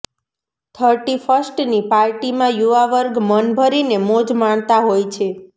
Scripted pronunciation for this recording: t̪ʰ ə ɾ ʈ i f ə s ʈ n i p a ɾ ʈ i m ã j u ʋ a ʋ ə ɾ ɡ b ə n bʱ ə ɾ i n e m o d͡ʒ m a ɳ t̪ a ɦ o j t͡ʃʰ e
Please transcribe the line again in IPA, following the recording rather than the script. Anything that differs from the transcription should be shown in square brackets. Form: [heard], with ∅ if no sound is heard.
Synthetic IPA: t̪ʰ ə ɾ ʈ i f ə s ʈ n i p a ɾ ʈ i m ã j u ʋ a ʋ ə ɾ ɡ [m] ə n bʱ ə ɾ i n e m o d͡ʒ m a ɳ t̪ a ɦ o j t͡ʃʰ e